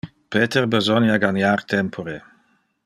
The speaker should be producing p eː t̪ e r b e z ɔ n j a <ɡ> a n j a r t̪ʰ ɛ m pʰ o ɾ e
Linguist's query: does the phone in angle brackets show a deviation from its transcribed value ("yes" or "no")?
no